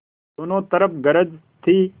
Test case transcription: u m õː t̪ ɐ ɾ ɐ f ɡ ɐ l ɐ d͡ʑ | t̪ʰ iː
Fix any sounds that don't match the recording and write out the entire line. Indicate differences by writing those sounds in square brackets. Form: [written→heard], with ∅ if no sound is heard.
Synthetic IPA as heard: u [m→n] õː t̪ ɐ ɾ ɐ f ɡ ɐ [l→ɾ] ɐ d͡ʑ | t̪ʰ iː

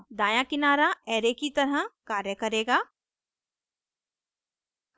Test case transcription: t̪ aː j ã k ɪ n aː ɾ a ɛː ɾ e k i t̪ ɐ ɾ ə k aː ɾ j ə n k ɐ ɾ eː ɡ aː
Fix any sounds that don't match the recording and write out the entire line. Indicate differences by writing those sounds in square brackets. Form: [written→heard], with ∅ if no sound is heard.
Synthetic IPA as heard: [t̪→d̪] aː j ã k ɪ n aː ɾ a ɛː ɾ e k i t̪ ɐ ɾ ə k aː ɾ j ə [n→∅] k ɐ ɾ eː ɡ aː

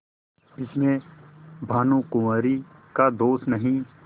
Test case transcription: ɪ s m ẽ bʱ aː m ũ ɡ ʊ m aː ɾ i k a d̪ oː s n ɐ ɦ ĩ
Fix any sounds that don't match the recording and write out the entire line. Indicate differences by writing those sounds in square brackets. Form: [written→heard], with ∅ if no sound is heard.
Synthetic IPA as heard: ɪ s m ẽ bʱ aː [m→n] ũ [ɡ→k] ʊ m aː ɾ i k a d̪ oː s n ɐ ɦ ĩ

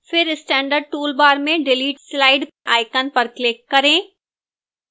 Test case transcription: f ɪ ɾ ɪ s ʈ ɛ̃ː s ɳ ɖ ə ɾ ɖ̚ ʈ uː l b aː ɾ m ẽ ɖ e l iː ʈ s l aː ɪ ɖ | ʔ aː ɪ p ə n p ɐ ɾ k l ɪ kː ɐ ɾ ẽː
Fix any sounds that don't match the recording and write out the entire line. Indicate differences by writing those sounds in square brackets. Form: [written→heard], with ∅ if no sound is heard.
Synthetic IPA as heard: f ɪ ɾ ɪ s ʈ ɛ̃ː [s→∅] ɳ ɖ ə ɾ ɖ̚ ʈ uː l b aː ɾ m ẽ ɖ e l iː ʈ s l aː ɪ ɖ | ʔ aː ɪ [p→k] ə n p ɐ ɾ k l ɪ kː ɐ ɾ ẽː

